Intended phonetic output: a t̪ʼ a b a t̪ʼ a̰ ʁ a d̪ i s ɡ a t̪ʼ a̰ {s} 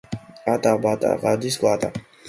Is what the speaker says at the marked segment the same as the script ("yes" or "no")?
no